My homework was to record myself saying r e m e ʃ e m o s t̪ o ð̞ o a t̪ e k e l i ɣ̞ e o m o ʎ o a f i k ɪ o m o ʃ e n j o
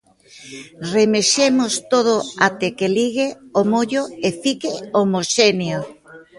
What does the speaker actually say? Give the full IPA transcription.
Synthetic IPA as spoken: r e m e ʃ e m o s t̪ o ð̞ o a t̪ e k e l i ɣ̞ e o m o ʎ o e f i k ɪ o m o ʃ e n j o